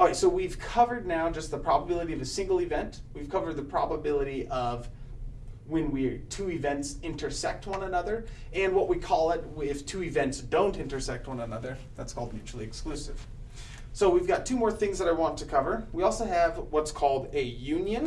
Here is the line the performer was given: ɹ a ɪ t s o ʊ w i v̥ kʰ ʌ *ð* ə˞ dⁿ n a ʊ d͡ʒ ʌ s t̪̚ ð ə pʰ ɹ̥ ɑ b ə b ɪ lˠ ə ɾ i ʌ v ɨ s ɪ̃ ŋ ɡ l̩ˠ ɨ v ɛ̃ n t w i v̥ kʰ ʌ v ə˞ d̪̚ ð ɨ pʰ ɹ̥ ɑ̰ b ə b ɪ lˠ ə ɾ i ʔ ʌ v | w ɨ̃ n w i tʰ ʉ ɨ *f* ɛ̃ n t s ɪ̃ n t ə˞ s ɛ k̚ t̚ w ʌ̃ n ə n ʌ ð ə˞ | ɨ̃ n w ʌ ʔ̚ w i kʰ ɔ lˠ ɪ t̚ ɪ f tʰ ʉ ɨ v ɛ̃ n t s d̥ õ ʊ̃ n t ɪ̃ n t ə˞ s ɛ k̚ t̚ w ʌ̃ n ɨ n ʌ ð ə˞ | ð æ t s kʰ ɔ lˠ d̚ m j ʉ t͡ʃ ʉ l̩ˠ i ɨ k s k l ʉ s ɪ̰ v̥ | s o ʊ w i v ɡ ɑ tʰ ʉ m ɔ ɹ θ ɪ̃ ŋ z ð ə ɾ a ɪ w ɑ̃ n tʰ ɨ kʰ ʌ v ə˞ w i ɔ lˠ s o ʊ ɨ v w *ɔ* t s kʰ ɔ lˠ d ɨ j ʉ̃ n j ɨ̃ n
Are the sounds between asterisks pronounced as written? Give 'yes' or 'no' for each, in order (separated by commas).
no, no, no